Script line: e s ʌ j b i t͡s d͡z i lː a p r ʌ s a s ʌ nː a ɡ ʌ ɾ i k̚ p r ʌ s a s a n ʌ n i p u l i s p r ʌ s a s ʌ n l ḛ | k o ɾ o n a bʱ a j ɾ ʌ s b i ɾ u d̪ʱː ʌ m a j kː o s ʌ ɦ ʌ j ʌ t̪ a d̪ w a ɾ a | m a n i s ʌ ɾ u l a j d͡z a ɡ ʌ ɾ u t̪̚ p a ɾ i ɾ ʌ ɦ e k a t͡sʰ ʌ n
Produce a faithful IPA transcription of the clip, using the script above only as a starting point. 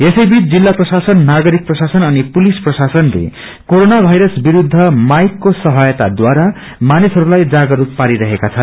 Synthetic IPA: e s ʌ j b i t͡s d͡z i lː a p r ʌ s a s ʌ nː a ɡ ʌ ɾ i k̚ p r ʌ s a s ʌ n ʌ n i p u l i s p r ʌ s a s ʌ n l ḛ | k o ɾ o n a bʱ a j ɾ ʌ s b i ɾ u d̪ʱː ʌ m a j kː o s ʌ ɦ ʌ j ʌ t̪ a d̪ w a ɾ a | m a n i s ʌ ɾ u l a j d͡z a ɡ ʌ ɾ u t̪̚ p a ɾ i ɾ ʌ ɦ e k a t͡sʰ ʌ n